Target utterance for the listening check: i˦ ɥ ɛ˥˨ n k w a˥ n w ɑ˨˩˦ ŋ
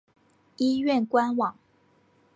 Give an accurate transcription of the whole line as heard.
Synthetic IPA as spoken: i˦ ɥ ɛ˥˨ n k w a˥ n w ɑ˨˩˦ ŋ